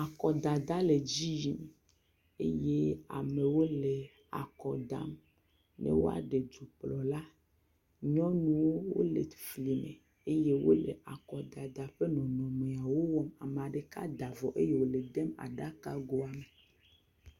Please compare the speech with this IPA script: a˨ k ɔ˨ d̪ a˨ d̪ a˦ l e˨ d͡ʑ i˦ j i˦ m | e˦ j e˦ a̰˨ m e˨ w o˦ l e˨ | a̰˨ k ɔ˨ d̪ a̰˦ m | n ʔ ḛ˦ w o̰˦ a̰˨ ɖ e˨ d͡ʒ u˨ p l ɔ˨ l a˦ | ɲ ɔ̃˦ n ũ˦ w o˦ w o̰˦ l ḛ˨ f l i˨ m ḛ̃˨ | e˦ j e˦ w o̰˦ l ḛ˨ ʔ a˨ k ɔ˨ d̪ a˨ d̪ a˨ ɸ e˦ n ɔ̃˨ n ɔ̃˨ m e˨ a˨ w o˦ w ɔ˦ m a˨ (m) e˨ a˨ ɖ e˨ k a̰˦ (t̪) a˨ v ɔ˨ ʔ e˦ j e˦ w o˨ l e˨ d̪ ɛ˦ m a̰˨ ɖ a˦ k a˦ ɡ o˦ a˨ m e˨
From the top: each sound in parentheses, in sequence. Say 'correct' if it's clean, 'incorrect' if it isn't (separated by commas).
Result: correct, incorrect